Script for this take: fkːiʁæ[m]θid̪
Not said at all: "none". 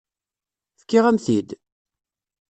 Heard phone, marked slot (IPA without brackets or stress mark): m